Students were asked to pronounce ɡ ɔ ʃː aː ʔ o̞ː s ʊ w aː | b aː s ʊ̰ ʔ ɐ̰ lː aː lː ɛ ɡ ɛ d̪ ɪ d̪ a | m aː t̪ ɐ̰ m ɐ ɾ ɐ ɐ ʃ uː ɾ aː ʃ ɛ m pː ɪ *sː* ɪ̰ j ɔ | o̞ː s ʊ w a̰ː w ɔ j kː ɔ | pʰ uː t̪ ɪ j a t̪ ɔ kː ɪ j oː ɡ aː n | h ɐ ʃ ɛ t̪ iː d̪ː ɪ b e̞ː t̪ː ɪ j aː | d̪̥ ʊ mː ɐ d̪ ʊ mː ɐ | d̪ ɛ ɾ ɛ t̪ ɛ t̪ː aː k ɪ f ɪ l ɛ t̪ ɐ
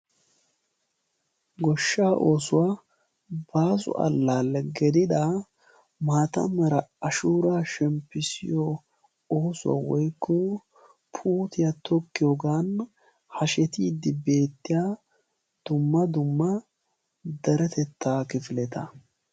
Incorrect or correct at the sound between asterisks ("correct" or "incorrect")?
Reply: incorrect